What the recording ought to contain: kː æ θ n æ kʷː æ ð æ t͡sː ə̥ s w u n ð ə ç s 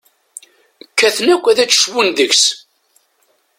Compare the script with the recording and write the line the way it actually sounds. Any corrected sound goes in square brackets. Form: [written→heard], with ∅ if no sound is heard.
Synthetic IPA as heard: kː æ θ n æ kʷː æ ð æ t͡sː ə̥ [s→ʃ] w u n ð ə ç s